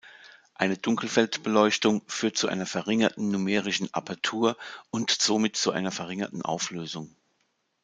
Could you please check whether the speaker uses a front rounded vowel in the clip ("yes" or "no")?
yes